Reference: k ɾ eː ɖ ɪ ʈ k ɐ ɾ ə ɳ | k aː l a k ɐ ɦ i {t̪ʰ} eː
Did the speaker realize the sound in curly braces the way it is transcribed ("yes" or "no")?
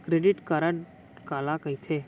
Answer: yes